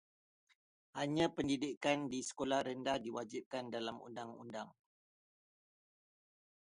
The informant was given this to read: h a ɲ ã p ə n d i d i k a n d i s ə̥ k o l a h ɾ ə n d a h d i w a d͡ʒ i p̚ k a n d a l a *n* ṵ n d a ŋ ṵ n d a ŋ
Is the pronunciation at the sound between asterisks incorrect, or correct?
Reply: incorrect